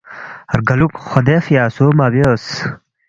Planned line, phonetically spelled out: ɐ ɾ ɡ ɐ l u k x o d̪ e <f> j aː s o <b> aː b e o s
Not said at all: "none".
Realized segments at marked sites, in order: f, m

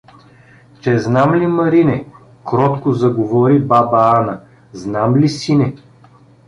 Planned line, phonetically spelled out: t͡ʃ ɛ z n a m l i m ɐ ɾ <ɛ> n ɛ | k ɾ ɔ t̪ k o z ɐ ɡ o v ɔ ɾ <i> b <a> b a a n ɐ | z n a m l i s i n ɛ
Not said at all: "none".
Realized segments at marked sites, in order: i, i, a

